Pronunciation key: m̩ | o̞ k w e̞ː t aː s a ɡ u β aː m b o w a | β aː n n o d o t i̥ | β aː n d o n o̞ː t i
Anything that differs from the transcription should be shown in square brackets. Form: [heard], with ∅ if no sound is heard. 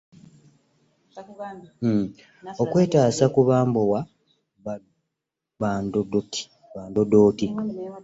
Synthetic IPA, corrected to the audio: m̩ | o̞ k w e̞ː t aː s a [k] u β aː m b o w a | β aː n [d] o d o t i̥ | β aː n d o [d] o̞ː t i